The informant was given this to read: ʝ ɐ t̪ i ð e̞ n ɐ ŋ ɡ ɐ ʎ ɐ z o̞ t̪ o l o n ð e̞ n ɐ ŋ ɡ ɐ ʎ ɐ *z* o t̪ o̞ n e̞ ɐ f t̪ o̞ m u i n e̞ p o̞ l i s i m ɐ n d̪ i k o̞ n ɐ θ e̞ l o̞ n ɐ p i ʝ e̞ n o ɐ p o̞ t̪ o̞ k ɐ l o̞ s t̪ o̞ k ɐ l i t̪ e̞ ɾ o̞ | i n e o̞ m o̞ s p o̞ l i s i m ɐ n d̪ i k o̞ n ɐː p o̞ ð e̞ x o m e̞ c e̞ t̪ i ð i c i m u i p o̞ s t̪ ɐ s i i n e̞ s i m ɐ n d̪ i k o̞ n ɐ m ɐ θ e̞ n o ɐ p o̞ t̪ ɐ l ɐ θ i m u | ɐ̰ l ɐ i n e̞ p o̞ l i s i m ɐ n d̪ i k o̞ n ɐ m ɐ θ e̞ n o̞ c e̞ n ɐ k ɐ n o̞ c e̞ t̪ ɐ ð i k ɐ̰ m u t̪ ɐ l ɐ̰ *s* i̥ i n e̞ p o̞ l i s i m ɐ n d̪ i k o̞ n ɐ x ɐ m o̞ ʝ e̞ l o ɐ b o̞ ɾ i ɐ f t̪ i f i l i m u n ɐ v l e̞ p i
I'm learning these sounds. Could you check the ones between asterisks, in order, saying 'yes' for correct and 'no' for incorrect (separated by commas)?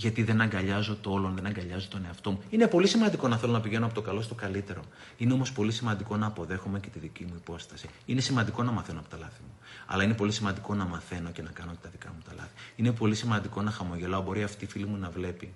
yes, no